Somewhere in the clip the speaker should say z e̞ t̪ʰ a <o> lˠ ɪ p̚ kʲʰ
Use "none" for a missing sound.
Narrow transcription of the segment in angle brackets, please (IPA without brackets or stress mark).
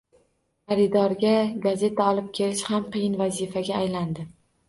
ɒ